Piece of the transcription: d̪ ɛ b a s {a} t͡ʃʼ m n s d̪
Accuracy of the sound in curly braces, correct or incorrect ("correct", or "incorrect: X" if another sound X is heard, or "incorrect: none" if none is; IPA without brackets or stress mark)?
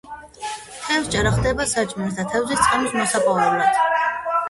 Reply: correct